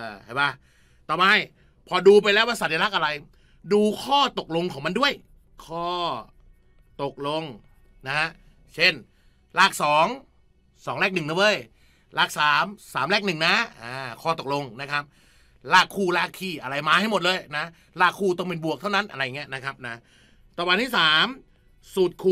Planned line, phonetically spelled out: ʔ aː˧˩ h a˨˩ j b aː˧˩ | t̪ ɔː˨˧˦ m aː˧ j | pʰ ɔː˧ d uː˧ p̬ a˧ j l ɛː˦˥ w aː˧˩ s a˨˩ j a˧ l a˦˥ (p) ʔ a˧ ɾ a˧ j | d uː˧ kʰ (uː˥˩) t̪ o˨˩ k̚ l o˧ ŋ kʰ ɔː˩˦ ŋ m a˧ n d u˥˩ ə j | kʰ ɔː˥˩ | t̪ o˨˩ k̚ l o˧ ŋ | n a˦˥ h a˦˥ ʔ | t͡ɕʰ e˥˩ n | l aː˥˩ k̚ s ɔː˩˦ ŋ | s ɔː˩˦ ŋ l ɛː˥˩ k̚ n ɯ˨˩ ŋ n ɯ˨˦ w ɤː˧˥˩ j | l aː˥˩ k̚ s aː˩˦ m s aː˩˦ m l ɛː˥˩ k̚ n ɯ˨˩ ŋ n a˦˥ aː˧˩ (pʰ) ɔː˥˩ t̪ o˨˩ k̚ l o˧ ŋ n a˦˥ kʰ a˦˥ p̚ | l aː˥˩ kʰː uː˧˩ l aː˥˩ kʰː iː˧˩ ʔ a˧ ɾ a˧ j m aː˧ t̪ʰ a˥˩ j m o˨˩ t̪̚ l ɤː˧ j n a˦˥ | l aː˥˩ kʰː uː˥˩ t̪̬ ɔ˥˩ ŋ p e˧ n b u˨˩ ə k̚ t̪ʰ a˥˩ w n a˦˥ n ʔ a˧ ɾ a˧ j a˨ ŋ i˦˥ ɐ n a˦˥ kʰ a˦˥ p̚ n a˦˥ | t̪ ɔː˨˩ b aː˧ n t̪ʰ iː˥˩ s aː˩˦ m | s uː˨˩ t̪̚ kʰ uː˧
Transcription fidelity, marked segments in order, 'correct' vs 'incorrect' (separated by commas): incorrect, incorrect, incorrect